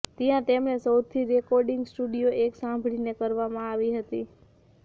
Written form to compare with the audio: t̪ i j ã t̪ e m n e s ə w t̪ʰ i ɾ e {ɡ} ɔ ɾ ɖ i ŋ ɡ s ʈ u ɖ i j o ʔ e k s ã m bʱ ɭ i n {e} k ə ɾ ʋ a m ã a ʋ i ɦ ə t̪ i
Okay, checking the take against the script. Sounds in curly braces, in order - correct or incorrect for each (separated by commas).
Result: incorrect, correct